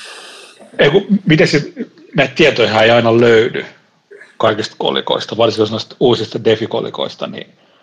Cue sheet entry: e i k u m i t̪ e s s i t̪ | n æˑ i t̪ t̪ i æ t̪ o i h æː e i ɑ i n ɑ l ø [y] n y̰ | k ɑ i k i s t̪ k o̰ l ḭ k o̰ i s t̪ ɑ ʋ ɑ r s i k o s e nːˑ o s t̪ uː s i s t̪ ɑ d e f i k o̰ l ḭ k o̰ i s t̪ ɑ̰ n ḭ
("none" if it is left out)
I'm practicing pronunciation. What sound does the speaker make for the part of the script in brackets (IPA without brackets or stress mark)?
y